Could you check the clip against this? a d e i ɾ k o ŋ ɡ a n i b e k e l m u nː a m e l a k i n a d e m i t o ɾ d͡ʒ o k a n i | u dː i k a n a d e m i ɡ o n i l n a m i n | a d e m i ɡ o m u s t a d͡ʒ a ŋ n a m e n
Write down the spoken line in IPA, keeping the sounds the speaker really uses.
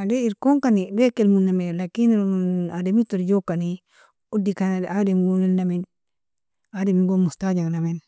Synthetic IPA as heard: a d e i ɾ k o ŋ k a n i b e k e l m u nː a m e l a k i n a d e m i t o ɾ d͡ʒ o k a n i | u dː i k a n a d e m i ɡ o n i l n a m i n | a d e m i ɡ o m u s t a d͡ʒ a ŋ n a m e n